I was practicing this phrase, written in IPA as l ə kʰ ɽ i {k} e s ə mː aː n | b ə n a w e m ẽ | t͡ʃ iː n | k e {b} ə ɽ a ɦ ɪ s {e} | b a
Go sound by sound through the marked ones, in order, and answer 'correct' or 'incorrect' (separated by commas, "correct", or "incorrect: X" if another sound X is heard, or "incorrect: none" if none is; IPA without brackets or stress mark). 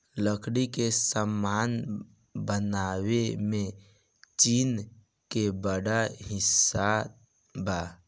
correct, correct, incorrect: a